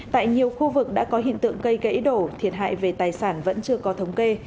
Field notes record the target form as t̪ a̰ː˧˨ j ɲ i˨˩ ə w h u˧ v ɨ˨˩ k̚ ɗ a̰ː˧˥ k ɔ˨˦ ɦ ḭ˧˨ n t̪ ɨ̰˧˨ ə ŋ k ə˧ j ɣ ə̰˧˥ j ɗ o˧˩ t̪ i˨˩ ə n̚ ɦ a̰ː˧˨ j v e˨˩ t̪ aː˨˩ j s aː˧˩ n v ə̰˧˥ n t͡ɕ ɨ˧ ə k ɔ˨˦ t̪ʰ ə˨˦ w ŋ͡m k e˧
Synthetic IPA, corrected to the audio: t̪ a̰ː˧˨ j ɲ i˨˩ ə w x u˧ v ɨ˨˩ k̚ ɗ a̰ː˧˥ k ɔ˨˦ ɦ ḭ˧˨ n t̪ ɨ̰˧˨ ə ŋ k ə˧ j ɣ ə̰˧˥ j ɗ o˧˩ t̪ʰ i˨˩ ə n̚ ɦ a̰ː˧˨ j v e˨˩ t̪ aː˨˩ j s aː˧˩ n v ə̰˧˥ n t͡ɕ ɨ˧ ə k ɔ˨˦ t̪ʰ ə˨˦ w ŋ͡m k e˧